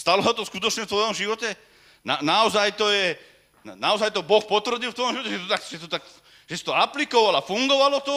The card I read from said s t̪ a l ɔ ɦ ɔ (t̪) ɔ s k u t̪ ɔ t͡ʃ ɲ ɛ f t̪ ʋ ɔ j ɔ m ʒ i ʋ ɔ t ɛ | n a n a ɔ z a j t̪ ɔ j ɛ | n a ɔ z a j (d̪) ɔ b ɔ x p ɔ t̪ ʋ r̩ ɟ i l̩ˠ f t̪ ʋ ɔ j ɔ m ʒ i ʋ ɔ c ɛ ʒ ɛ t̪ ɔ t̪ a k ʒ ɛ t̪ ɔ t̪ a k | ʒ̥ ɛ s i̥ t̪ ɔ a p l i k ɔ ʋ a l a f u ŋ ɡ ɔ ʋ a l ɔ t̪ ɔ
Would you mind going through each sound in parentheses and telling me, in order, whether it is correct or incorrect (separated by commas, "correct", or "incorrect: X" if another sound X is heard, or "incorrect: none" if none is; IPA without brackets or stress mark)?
correct, incorrect: t̪